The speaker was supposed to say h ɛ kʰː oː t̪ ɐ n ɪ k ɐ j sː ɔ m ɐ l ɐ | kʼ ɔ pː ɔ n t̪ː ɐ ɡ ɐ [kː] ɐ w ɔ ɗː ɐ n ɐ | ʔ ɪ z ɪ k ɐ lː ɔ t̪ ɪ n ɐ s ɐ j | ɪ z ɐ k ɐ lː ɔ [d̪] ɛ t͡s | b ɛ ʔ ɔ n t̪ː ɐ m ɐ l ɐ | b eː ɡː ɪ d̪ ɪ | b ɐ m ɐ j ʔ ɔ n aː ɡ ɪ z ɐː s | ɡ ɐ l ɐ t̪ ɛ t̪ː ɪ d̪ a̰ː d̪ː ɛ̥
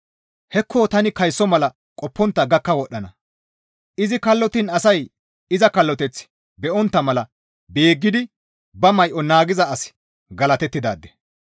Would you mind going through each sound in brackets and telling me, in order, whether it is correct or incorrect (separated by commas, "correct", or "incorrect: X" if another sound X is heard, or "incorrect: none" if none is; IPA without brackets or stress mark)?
correct, incorrect: t̪